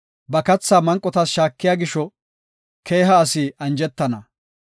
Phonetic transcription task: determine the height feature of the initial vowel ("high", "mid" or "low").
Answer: low